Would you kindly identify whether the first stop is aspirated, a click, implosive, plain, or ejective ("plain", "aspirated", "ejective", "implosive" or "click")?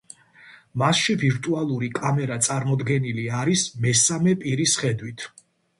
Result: ejective